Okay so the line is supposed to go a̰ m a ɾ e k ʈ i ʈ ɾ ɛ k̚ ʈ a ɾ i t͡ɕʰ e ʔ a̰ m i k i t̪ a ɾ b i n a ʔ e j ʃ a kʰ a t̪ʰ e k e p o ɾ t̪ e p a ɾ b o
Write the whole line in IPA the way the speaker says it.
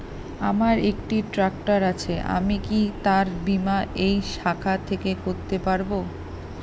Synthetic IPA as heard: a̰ m a ɾ e k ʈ i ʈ ɾ a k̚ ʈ a ɾ a t͡ɕʰ e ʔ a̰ m i k i t̪ a ɾ b i m a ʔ e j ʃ a kʰ a t̪ʰ e k e k o ɾ t̪ e p a ɾ b o